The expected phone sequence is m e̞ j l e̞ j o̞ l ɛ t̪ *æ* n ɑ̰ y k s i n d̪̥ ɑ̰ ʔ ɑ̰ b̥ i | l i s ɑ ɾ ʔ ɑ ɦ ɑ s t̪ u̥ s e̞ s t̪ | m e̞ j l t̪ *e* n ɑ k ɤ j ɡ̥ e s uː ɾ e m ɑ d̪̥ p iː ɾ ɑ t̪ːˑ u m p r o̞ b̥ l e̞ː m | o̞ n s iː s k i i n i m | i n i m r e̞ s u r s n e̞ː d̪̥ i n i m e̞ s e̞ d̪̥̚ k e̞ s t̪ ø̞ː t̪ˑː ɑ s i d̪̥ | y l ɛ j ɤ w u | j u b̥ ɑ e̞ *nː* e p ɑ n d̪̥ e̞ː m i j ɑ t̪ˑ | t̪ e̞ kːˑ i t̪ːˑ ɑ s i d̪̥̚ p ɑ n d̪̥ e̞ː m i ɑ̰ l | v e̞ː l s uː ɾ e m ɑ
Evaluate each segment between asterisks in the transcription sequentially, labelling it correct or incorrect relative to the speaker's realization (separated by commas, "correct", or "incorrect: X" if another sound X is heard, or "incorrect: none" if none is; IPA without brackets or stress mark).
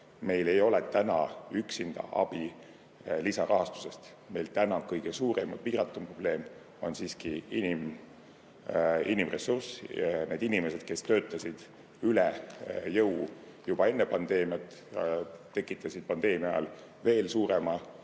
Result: correct, incorrect: æ, correct